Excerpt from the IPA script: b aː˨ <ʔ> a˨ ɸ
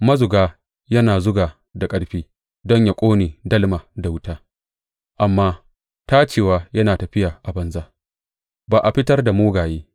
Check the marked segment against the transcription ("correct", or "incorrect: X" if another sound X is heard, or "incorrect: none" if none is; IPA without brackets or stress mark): correct